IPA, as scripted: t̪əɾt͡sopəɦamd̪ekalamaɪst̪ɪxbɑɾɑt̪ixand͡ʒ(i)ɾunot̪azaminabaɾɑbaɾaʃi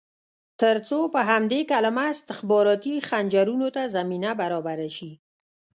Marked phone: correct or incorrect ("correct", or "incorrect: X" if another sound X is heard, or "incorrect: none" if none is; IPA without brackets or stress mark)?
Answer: incorrect: a